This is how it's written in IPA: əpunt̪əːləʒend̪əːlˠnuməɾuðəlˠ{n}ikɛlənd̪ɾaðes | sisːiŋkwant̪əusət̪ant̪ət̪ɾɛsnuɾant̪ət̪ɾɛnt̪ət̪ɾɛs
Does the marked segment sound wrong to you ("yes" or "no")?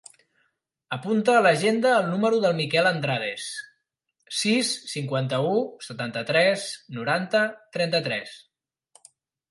yes